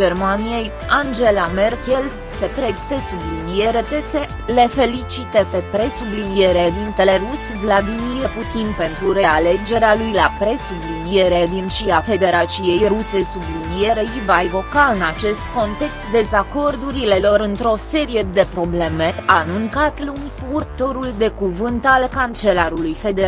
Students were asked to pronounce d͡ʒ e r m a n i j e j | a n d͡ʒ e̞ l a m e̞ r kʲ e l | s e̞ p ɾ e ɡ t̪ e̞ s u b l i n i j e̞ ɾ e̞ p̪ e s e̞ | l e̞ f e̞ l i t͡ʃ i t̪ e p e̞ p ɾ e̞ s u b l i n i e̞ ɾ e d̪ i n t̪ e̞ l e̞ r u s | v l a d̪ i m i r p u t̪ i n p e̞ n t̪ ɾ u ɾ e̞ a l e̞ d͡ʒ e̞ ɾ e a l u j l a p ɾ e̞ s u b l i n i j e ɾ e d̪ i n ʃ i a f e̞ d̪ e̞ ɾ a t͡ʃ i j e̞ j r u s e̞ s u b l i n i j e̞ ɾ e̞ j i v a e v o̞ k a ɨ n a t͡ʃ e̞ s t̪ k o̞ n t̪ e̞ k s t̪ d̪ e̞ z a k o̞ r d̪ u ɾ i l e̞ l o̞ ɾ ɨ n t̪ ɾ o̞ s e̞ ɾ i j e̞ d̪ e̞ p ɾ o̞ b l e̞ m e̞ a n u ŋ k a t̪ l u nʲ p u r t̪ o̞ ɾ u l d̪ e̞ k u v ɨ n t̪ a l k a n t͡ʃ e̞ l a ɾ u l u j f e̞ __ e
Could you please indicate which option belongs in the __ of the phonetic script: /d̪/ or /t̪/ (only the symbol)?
d̪